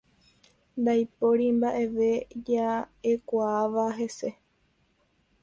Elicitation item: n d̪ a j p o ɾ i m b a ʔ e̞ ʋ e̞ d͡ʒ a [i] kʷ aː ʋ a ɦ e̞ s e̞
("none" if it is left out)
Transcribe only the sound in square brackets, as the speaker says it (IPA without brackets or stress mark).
e